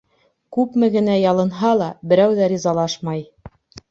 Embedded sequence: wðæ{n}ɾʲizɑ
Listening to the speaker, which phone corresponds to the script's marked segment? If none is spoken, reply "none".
none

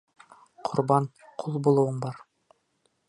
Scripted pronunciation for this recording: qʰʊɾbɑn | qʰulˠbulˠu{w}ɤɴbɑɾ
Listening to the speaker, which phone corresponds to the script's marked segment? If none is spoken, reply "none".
w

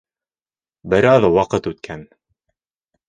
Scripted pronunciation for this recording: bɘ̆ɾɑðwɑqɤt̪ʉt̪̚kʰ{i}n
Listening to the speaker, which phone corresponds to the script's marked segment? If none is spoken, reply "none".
æ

